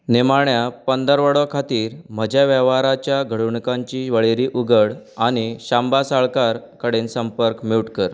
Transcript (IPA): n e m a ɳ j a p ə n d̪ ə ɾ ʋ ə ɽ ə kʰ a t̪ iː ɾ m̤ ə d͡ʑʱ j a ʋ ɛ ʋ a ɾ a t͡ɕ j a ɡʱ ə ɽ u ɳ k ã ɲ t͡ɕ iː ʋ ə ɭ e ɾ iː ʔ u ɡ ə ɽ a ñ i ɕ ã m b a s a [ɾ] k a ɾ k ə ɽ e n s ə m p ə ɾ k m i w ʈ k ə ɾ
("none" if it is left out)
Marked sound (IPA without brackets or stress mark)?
ɭ